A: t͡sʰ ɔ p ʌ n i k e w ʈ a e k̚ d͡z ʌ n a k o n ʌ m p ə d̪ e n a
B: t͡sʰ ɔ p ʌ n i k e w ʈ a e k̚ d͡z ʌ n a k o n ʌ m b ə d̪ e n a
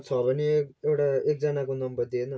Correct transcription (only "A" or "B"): B